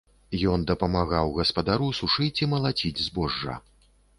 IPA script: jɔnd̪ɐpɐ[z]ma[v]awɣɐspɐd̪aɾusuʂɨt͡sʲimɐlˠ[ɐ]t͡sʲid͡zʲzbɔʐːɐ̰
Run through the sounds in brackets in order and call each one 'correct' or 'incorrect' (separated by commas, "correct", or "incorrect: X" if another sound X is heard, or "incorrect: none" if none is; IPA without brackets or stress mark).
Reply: incorrect: none, incorrect: ɣ, incorrect: a